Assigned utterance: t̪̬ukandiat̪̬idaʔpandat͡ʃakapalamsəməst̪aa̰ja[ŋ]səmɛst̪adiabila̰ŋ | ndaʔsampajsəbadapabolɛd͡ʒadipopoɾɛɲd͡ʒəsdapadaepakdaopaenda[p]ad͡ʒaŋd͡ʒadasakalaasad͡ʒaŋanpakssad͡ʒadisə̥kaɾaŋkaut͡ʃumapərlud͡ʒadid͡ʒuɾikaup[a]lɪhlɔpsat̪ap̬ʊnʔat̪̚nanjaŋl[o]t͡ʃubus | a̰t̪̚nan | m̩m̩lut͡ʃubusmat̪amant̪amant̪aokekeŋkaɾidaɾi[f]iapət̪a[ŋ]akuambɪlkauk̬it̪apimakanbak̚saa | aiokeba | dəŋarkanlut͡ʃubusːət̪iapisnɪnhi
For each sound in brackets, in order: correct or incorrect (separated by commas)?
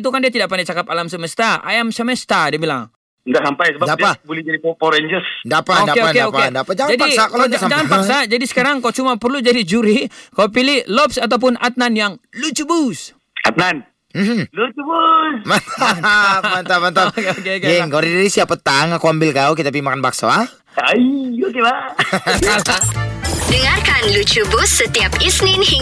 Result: incorrect, correct, incorrect, incorrect, incorrect, correct